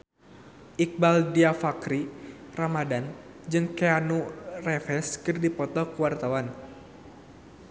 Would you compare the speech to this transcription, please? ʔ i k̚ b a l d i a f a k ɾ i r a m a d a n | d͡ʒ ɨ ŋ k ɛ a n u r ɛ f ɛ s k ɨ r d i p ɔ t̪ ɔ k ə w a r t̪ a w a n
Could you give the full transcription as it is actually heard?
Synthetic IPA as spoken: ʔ i k̚ b a l d i a f a k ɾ i r a m a d a n | d͡ʒ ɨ ŋ k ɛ a n u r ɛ f ɛ s k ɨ r d i p ɔ t̪ ɔ k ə w a r t̪ a w a n